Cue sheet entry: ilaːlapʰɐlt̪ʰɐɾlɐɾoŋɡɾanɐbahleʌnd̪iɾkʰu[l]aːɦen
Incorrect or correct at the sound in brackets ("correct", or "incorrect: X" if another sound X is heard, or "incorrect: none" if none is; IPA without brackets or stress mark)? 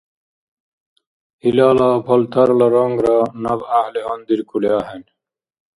correct